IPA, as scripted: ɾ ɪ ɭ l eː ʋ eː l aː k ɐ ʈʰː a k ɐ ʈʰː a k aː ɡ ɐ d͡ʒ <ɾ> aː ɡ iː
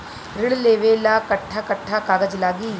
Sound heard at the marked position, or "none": l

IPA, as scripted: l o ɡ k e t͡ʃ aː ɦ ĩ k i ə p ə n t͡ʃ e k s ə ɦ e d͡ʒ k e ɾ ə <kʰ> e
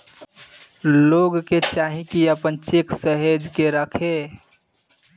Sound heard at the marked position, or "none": kʰ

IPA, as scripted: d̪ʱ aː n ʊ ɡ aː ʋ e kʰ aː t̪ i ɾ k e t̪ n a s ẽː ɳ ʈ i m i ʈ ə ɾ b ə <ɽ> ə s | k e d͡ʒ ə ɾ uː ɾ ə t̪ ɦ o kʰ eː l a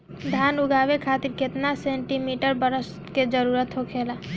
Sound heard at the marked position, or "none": ɾ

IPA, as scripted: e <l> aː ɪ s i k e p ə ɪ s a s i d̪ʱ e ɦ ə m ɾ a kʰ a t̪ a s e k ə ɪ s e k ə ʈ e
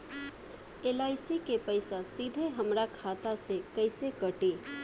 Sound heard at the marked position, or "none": l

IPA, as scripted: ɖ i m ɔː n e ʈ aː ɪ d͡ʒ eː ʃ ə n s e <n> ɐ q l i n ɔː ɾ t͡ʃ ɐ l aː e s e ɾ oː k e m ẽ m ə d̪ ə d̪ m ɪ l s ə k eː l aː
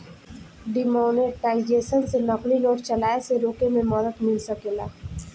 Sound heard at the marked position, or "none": n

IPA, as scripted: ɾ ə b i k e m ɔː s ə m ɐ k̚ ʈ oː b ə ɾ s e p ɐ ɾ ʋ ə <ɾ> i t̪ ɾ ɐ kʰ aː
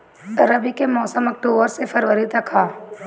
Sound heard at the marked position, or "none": ɾ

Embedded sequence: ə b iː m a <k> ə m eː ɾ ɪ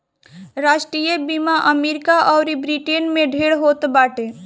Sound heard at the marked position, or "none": ʔ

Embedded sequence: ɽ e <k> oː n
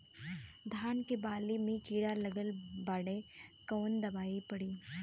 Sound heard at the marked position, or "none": k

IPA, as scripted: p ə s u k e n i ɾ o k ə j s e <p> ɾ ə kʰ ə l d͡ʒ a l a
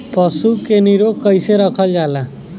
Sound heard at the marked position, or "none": none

